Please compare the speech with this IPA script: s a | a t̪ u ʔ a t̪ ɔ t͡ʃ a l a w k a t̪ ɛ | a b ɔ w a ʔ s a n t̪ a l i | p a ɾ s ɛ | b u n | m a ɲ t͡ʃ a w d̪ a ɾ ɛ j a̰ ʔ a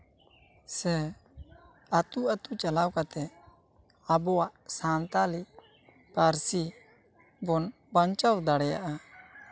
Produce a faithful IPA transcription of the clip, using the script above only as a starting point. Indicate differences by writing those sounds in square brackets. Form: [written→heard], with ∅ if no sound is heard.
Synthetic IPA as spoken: s [a→ɛ] | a t̪ u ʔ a t̪ [ɔ→u] t͡ʃ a l a w k a t̪ ɛ | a b ɔ w a ʔ s a n t̪ a l i | p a ɾ s [ɛ→i] | b [u→ɔ] n | [m→b] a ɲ t͡ʃ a w d̪ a [ɾ→ɽ] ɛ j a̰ ʔ a